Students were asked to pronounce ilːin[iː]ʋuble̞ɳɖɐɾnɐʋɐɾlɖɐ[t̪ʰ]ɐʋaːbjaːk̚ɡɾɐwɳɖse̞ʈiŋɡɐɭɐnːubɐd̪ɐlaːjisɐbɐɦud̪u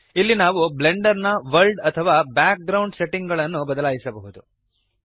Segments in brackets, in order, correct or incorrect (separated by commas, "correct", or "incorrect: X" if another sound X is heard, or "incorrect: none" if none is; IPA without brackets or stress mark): incorrect: aː, correct